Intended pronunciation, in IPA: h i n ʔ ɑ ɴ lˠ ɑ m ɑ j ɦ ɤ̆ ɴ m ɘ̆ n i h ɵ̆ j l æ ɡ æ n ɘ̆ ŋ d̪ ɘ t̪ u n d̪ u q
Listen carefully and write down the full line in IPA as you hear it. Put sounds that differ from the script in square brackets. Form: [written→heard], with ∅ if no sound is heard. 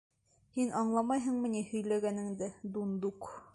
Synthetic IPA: h i n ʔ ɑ ɴ lˠ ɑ m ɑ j ɦ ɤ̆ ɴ m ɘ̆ n i h ɵ̆ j l æ ɡ æ n ɘ̆ ŋ d̪ ɘ [t̪→d̪] u n d̪ u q